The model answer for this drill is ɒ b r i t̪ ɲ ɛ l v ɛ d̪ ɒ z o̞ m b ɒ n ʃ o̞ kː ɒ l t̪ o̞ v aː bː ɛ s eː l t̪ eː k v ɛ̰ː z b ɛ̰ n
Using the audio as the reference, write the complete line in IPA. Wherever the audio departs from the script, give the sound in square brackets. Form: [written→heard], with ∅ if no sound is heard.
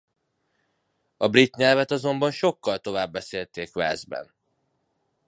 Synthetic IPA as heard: ɒ b r i t̪ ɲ ɛ l v ɛ [d̪→t̪] ɒ z o̞ m b ɒ n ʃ o̞ kː ɒ l t̪ o̞ v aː bː ɛ s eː l t̪ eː k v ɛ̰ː z b ɛ̰ n